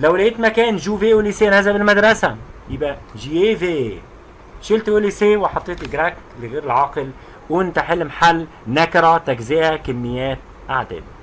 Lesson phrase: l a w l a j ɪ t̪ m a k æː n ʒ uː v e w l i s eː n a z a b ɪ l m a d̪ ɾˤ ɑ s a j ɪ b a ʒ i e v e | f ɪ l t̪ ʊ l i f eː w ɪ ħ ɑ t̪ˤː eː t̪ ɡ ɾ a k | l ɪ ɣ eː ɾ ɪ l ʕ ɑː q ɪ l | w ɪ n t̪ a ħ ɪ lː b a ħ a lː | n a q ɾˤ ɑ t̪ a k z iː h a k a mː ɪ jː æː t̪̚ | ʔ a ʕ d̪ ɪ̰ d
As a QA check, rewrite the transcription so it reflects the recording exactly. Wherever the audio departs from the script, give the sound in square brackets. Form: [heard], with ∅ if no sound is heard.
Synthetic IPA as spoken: l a w l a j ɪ t̪ m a k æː n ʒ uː v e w l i s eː n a z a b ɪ l m a d̪ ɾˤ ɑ s a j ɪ b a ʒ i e v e | [ʃ] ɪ l t̪ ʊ l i [s] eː w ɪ ħ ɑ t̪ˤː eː t̪ ɡ ɾ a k | l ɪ ɣ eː ɾ ɪ l ʕ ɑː q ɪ l | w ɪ n t̪ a ħ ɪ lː [m] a ħ a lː | n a [k] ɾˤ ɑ t̪ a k z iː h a k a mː ɪ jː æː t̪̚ | ʔ a ʕ d̪ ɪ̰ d